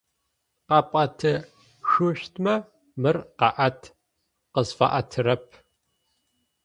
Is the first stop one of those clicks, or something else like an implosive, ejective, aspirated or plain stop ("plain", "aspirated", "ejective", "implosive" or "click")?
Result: plain